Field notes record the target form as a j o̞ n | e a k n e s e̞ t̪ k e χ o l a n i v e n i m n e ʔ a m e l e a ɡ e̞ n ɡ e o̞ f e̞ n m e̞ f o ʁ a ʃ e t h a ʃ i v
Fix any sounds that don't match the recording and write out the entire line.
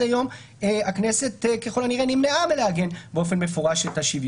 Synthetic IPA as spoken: a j o̞ m | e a k n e s e̞ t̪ k e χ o l a n i ʁ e n i m n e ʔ a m e l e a ɡ e̞ n b e o̞ f e̞ n m e̞ f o ʁ a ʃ e t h a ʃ i v